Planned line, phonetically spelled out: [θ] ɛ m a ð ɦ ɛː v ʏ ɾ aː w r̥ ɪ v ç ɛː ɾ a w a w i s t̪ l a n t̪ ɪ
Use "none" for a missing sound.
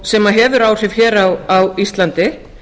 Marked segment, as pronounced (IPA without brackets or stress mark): s